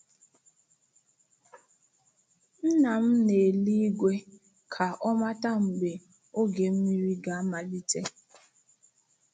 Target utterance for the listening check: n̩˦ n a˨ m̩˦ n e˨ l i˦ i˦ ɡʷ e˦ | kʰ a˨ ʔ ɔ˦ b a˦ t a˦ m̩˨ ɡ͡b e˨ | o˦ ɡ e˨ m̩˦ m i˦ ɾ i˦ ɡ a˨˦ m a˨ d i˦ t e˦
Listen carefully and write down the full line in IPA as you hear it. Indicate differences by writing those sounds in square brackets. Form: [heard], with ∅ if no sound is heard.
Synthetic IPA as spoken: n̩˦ n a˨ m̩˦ n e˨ l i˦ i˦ ɡʷ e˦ | kʰ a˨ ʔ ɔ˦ [m] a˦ t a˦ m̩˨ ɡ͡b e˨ | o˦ ɡ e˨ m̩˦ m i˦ ɾ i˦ ɡ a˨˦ m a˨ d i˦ t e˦